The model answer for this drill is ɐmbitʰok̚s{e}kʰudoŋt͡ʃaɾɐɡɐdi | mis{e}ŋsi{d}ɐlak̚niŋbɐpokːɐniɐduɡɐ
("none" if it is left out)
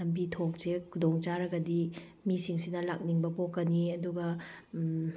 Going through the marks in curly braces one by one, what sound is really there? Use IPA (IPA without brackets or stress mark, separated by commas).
e, i, n